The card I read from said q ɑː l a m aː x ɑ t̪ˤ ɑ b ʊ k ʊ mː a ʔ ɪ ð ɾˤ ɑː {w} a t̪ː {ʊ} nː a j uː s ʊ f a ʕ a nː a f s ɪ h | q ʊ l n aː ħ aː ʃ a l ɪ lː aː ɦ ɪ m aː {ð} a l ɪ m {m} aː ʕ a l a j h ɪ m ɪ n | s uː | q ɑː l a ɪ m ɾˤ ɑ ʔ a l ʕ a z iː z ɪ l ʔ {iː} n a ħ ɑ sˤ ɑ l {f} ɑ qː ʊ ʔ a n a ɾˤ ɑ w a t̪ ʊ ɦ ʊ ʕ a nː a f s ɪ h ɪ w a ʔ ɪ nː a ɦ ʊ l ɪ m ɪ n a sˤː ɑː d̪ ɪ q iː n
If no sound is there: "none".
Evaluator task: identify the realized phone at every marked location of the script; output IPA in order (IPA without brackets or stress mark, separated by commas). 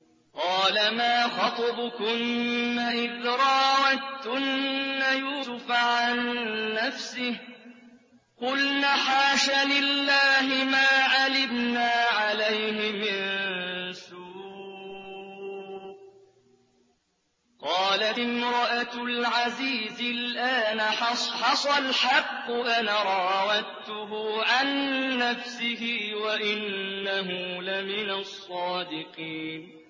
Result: w, ʊ, ʕ, n, aː, ħ